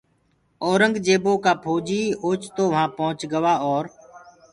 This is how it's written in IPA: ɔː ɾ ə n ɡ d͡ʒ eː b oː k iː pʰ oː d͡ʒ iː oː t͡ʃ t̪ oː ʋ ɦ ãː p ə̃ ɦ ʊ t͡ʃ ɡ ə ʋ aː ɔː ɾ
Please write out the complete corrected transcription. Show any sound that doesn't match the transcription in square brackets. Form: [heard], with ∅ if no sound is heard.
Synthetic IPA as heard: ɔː ɾ ə [ŋ] ɡ d͡ʒ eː b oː k [aː] pʰ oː d͡ʒ iː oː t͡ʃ t̪ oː ʋ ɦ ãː p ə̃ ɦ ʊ t͡ʃ ɡ ə ʋ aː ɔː ɾ